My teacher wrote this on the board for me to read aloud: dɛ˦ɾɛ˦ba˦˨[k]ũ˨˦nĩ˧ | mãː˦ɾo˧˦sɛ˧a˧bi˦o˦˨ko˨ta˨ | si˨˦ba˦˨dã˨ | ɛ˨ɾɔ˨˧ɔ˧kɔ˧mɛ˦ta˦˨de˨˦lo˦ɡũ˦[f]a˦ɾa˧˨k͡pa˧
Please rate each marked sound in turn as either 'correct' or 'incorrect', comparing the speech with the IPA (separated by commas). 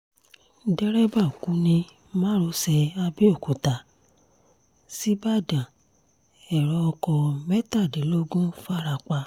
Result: correct, correct